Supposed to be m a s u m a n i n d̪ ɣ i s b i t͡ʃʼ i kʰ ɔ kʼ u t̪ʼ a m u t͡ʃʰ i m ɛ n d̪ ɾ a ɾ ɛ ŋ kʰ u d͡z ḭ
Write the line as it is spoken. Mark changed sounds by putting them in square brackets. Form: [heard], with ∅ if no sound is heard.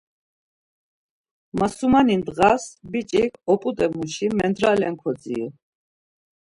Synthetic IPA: m a s u m a n i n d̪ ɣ [a] s b i t͡ʃʼ i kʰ ɔ [pʼ] u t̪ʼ [ɛ] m u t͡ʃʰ i m ɛ n d̪ ɾ a [l] ɛ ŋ kʰ [ɔ] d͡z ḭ